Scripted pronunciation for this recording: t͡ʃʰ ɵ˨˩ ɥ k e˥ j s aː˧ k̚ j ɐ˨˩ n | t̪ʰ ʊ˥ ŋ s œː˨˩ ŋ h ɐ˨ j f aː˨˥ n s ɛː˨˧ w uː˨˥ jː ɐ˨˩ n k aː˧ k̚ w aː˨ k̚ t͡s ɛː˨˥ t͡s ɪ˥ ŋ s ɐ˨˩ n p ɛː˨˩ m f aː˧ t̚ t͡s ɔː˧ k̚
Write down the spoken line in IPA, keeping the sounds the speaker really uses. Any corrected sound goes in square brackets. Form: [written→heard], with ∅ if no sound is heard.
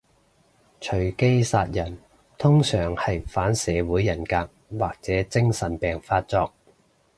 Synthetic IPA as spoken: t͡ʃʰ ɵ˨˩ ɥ k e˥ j s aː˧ [k̚→t̚] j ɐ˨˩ n | t̪ʰ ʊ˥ ŋ s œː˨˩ ŋ h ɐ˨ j f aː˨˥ n s ɛː˨˧ w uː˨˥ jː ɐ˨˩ n k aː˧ k̚ w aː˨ k̚ t͡s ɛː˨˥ t͡s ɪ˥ ŋ s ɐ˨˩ n p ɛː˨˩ [m→ŋ] f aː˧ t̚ t͡s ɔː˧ k̚